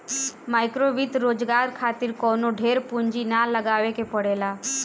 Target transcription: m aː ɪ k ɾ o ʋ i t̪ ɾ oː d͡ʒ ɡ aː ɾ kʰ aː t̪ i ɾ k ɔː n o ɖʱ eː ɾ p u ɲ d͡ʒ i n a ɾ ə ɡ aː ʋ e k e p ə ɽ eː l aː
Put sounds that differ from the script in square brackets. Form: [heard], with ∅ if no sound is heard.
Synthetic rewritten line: m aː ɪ k ɾ o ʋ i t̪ ɾ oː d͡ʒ ɡ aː ɾ kʰ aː t̪ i ɾ k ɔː n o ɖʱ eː ɾ p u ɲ d͡ʒ i n a [l] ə ɡ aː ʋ e k e p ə ɽ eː l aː

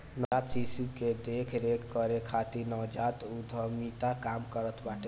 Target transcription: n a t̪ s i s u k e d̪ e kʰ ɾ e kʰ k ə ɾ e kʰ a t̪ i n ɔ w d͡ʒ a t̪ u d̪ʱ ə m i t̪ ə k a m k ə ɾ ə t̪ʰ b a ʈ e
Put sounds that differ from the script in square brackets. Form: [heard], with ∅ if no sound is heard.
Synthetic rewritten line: n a t̪ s i s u k e d̪ e kʰ ɾ e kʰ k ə ɾ e kʰ a t̪ i n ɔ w d͡ʒ a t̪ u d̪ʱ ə m i t̪ [a] k a m k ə ɾ ə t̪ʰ b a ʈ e

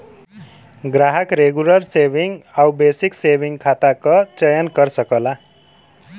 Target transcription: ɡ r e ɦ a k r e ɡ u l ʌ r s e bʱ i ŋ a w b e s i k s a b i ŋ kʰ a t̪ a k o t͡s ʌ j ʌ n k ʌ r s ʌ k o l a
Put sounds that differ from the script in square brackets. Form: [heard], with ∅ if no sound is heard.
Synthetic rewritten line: ɡ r [a] ɦ [ʌ] k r e ɡ u l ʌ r s e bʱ i ŋ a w b e s i k s [e] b i ŋ kʰ a t̪ a k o t͡s ʌ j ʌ n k ʌ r s ʌ k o l a

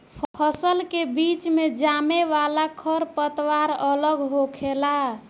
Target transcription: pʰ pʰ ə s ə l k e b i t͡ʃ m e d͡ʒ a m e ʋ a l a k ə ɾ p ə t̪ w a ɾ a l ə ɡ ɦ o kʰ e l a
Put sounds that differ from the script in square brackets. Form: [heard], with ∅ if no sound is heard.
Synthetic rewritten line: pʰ pʰ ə s ə l k e b i t͡ʃ m e d͡ʒ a m e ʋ a l a [kʰ] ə ɾ p ə t̪ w a ɾ [ə] l ə ɡ ɦ o kʰ e l a

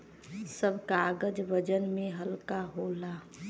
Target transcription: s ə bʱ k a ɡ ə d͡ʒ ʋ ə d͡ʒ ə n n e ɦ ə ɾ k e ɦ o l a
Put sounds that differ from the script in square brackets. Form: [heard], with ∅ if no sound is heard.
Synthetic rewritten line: s ə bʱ k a ɡ ə d͡ʒ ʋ ə d͡ʒ ə n [m] e ɦ ə [l] k [a] ɦ o l a

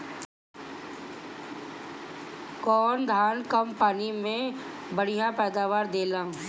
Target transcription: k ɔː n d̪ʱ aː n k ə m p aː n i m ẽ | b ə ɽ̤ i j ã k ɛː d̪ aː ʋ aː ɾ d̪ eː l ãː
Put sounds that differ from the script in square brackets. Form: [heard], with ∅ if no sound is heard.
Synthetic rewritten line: k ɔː n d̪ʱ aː n k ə m p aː n i m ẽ | b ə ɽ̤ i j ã [p] ɛː d̪ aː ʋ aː ɾ d̪ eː l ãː

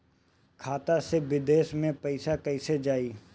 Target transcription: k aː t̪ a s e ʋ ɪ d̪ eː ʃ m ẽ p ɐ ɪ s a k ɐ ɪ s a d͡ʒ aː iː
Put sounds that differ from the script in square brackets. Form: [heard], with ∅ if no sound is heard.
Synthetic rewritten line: [kʰ] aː t̪ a s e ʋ ɪ d̪ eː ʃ m ẽ p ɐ ɪ s a k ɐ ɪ s [e] d͡ʒ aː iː

